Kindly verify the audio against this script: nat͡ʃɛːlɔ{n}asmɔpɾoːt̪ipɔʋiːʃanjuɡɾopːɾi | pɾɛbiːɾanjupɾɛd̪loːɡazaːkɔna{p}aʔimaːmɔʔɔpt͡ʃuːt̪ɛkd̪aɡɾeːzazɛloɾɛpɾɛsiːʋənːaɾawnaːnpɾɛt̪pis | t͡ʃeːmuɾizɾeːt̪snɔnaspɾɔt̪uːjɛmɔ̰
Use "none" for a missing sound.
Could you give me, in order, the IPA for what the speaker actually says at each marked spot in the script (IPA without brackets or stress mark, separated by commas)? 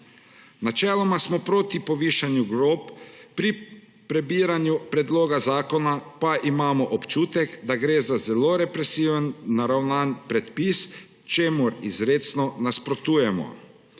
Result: m, p